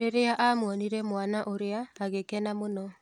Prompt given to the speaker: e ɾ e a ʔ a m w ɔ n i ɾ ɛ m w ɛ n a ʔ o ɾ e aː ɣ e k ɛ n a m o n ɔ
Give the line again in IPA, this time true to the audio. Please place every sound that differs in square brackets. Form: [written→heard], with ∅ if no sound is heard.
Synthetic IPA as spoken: e ɾ e a ʔ a m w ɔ n i ɾ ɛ m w [ɛ→a] n a ʔ o ɾ e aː ɣ e k ɛ n a m o n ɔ